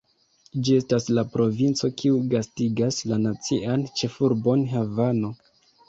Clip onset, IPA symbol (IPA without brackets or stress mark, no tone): d͡ʒ